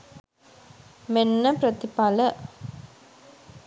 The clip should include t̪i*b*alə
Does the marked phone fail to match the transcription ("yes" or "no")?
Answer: yes